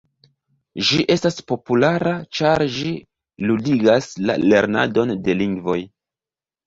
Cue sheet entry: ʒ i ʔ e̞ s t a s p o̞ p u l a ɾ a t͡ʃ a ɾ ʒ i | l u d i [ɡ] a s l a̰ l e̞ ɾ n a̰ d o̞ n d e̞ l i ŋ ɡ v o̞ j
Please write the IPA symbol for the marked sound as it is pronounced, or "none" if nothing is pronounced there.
ɡ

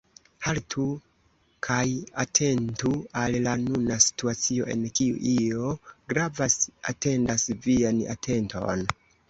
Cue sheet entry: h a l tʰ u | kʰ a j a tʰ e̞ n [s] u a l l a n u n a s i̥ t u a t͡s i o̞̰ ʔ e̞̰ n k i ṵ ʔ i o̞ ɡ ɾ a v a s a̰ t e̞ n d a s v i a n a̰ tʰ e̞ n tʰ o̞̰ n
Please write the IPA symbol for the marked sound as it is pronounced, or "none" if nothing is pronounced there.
t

